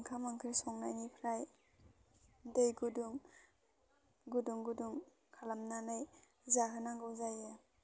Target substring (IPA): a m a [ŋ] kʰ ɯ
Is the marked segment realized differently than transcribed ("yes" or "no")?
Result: no